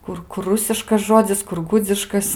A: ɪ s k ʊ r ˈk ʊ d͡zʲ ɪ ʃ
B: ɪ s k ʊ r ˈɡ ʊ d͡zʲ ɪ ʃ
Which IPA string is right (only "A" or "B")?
B